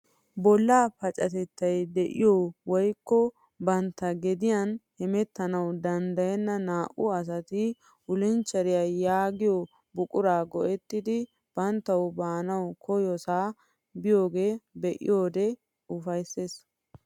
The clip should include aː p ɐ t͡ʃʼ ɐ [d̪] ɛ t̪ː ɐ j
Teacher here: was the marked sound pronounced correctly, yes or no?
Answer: no